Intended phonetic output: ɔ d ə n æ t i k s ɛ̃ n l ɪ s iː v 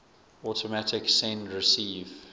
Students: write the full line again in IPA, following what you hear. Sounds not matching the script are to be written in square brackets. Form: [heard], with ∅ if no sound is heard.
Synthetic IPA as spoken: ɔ [t] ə [m] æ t [ɪ] k s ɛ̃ n [ɹ] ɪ s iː v